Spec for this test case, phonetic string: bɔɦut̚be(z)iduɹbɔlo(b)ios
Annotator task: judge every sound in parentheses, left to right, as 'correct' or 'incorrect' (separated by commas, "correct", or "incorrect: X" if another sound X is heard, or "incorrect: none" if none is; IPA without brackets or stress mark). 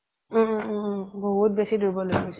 incorrect: s, incorrect: ɡ